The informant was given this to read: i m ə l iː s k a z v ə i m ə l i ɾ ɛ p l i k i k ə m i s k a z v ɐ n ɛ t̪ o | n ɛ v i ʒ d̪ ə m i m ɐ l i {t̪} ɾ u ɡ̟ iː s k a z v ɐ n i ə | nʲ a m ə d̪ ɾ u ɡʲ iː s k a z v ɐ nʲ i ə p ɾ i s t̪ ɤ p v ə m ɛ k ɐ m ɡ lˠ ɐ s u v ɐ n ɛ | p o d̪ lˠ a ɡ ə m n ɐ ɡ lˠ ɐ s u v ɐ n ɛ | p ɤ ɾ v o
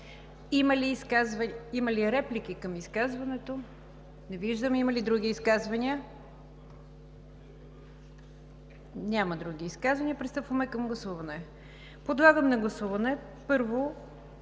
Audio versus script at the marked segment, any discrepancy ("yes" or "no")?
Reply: yes